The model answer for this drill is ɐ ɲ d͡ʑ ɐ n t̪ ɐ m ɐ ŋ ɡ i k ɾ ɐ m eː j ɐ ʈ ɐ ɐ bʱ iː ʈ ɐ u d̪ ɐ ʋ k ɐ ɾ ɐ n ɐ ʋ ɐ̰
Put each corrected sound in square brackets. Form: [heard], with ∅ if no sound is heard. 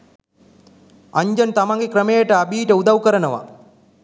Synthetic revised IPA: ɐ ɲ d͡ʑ ɐ n t̪ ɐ m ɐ ŋ ɡ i k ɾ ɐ m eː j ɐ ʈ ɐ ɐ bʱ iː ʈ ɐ u d̪ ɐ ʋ k ɐ ɾ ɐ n ɐ ʋ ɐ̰